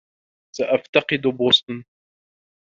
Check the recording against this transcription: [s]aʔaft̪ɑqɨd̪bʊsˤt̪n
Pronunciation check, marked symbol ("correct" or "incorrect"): correct